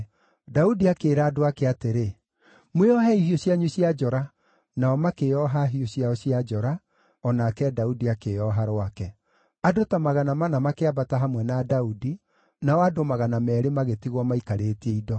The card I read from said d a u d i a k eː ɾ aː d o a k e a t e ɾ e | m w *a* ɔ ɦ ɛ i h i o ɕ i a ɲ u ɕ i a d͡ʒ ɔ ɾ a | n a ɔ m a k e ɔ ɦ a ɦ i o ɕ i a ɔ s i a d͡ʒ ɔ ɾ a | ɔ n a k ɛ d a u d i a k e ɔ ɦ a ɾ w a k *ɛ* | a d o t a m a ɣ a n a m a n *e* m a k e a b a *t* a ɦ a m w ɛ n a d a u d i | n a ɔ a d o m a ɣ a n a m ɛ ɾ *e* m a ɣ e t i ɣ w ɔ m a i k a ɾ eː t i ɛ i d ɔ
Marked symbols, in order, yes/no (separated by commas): no, yes, no, yes, yes